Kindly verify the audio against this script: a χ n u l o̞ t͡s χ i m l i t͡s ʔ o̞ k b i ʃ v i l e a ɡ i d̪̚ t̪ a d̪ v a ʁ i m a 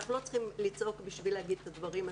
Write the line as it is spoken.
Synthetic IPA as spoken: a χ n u l o̞ t͡s χ i m l i t͡s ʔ o̞ k b i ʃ v i l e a ɡ i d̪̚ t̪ a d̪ v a ʁ i m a